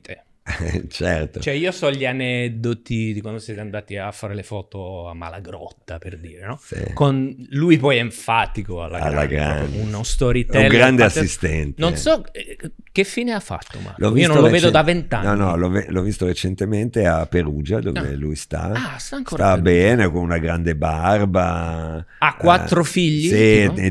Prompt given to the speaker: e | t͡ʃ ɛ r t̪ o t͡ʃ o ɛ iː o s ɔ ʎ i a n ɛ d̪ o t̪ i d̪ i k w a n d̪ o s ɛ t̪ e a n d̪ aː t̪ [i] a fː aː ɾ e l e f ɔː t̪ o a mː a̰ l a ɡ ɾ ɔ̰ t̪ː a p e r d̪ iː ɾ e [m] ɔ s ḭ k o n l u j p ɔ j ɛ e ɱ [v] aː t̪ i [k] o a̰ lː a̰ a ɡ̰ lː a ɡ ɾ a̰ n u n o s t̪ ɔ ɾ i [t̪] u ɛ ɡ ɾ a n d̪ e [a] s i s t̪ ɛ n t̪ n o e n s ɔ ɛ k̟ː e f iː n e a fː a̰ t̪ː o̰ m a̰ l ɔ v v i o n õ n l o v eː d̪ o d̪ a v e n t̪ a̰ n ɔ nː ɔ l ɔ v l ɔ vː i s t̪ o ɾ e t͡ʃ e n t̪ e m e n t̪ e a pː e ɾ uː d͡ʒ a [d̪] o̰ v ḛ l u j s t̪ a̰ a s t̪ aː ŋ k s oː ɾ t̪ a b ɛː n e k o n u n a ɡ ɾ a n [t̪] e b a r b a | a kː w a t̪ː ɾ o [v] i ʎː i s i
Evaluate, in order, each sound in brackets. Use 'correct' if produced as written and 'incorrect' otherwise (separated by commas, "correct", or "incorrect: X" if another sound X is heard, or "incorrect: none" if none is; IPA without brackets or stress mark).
correct, incorrect: n, incorrect: f, correct, correct, correct, correct, incorrect: d̪, incorrect: f